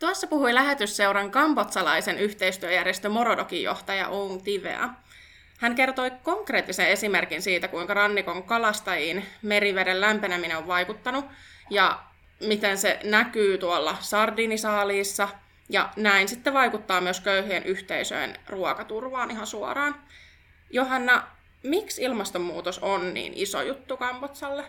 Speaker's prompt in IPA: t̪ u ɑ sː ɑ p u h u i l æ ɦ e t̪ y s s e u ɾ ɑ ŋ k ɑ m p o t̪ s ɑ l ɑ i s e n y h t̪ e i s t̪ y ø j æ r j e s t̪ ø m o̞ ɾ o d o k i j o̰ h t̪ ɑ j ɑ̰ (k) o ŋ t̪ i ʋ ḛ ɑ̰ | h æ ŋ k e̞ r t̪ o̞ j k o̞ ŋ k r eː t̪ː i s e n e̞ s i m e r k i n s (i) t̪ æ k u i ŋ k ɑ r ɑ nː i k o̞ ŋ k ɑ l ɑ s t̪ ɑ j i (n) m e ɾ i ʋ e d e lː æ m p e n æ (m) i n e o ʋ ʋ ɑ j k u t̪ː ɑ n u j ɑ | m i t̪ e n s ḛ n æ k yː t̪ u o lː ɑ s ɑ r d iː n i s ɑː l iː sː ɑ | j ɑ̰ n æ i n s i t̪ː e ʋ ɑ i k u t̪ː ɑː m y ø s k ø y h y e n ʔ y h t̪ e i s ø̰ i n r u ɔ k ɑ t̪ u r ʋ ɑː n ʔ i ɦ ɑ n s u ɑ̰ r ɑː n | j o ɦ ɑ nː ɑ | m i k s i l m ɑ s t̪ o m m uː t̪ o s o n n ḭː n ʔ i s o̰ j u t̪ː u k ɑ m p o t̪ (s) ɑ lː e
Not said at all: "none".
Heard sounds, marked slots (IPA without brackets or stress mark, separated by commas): ʔ, iː, n, m, s